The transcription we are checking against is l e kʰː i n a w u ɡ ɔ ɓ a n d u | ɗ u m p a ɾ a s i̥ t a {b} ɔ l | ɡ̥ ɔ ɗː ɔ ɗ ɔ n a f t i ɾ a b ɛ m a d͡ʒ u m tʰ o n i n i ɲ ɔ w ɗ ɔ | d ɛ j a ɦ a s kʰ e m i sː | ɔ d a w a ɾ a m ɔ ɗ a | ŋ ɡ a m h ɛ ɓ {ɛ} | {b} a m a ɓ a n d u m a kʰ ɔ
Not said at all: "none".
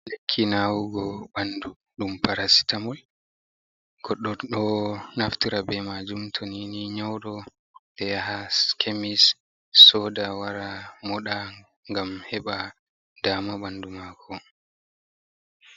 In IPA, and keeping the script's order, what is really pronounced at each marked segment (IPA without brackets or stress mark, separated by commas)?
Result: m, a, d